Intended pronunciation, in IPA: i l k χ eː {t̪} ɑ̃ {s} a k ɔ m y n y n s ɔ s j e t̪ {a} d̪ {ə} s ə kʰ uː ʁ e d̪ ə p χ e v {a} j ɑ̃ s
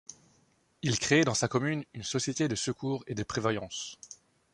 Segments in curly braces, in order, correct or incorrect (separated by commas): incorrect, correct, incorrect, correct, correct